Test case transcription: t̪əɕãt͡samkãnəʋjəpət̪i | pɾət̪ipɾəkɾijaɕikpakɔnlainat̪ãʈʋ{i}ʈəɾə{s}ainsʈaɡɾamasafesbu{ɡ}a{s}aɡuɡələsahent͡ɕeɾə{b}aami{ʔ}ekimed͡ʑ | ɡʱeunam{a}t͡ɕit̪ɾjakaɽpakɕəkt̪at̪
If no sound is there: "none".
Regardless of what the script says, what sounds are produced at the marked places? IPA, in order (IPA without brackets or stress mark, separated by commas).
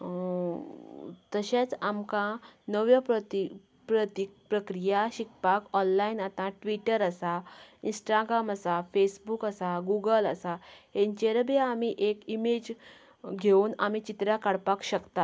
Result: i, s, k, s, b, ʔ, i